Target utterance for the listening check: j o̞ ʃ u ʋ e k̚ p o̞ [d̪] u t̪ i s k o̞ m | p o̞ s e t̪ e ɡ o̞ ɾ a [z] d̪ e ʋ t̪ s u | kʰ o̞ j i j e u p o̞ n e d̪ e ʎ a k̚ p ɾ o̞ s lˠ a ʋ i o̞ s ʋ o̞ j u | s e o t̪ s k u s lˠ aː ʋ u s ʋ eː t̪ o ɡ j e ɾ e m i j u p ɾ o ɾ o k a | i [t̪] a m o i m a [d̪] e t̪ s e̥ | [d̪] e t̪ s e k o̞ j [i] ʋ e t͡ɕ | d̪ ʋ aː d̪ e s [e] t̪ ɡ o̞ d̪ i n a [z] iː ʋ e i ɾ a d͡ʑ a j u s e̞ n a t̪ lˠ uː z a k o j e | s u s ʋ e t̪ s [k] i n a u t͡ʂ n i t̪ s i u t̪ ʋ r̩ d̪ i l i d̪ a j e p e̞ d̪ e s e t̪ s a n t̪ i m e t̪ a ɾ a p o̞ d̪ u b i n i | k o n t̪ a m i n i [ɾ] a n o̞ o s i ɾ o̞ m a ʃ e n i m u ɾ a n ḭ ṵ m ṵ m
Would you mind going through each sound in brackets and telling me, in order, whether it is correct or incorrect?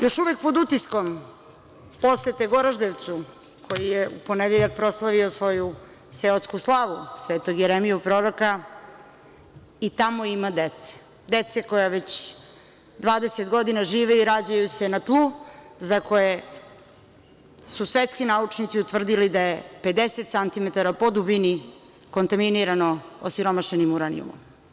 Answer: correct, incorrect: ʒ, correct, correct, correct, incorrect: a, correct, incorrect: ʒ, correct, correct

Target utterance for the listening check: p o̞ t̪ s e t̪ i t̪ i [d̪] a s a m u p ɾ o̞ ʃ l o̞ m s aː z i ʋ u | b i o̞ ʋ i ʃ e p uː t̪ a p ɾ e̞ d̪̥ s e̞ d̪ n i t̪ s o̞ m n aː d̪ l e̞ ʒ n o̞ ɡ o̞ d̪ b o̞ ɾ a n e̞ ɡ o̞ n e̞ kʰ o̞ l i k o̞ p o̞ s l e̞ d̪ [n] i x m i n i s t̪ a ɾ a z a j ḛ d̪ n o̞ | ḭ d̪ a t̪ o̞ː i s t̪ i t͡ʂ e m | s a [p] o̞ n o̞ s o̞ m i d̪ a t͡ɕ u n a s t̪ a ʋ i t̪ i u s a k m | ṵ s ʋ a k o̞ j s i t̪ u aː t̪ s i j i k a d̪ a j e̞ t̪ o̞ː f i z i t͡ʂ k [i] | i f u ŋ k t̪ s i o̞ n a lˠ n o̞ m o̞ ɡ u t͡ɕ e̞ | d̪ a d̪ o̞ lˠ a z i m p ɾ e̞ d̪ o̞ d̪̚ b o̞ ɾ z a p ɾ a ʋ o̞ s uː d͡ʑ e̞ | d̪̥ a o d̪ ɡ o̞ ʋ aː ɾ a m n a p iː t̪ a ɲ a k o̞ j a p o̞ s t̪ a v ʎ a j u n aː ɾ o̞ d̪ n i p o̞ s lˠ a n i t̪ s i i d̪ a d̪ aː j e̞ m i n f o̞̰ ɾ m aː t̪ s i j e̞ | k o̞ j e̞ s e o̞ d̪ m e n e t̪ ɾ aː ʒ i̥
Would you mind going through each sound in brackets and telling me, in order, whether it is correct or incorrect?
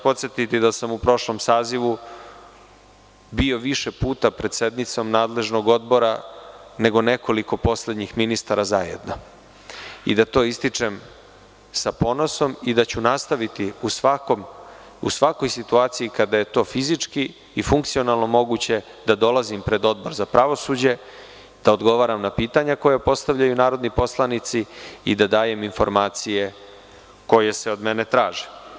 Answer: correct, incorrect: ɲ, correct, correct

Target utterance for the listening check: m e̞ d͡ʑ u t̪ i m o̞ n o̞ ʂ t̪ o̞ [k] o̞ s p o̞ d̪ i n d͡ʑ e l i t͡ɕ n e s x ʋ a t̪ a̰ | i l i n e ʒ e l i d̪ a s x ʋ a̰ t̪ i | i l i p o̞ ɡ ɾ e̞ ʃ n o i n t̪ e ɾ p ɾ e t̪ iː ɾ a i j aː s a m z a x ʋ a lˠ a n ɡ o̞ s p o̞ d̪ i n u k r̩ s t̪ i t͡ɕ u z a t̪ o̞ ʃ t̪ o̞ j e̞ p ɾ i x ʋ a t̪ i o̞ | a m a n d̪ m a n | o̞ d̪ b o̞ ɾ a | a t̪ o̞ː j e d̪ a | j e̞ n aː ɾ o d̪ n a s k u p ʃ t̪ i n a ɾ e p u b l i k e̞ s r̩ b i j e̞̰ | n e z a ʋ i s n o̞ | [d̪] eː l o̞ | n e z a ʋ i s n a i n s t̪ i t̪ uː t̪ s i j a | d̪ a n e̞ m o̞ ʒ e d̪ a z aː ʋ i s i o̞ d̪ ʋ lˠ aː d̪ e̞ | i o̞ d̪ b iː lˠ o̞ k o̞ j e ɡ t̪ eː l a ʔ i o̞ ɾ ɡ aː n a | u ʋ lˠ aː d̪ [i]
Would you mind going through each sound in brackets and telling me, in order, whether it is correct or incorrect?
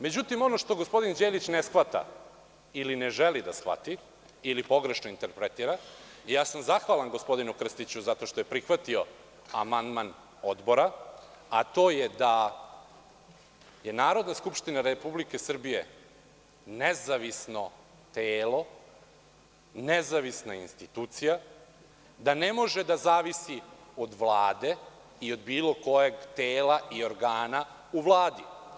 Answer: incorrect: ɡ, incorrect: t̪, correct

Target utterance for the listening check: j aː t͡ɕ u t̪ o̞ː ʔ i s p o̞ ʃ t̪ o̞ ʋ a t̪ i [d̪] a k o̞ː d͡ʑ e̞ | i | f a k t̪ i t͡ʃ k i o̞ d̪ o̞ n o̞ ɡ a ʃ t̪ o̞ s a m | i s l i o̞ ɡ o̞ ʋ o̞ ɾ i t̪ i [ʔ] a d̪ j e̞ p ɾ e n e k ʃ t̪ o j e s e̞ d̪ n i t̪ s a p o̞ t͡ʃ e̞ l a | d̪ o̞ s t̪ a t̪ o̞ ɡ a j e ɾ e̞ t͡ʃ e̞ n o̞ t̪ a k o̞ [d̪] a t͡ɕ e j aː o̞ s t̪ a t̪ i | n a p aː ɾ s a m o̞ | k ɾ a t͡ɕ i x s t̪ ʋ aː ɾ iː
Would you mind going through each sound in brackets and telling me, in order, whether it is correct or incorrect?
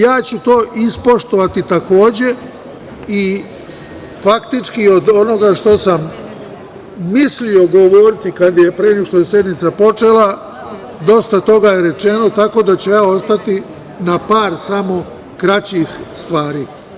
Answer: incorrect: t̪, incorrect: k, correct

